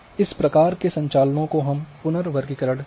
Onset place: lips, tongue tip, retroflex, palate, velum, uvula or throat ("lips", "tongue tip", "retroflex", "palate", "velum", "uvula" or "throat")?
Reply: tongue tip